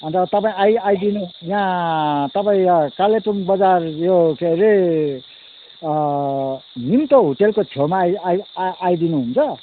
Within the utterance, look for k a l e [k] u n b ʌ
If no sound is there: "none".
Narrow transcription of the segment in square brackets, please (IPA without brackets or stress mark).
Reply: p